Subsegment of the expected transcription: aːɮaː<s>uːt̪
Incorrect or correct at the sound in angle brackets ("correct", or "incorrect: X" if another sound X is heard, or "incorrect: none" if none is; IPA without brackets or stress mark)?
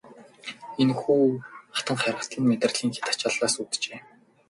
correct